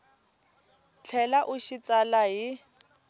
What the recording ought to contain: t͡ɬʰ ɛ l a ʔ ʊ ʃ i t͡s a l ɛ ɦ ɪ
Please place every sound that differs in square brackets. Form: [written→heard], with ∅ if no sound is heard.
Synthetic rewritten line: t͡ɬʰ ɛ l a ʔ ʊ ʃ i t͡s a l [ɛ→a] ɦ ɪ